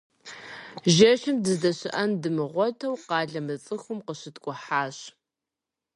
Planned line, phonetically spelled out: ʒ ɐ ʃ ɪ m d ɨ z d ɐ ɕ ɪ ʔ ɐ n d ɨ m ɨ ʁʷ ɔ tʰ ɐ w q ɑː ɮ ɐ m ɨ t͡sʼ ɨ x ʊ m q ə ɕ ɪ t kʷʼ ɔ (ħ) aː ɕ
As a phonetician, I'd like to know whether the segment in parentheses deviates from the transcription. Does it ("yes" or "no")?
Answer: no